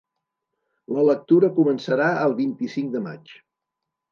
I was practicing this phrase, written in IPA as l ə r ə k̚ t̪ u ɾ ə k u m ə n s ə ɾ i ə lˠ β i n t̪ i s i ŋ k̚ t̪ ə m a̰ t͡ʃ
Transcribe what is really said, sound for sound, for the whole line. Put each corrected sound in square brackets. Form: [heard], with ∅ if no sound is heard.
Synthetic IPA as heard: l ə [l] ə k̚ t̪ u ɾ ə k u m ə n s ə ɾ [a] ə lˠ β i n t̪ i s i ŋ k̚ [d̪] ə m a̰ t͡ʃ